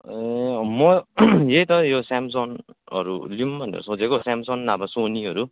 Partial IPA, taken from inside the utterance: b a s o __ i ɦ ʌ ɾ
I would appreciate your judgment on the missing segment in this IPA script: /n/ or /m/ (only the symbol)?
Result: n